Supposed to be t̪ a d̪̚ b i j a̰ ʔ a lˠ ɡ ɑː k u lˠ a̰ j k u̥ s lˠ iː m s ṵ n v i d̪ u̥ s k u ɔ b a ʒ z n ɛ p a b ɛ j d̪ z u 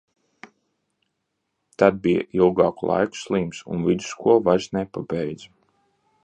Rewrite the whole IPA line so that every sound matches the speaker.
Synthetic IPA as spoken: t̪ a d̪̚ b i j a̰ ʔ i lˠ ɡ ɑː k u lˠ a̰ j k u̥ s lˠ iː m s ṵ n v i d̪ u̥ s k u ɔ v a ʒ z n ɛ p a b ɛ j d̪ z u